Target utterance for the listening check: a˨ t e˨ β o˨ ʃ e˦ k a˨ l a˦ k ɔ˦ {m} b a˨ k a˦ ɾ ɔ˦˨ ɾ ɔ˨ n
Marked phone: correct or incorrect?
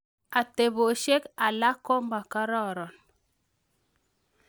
correct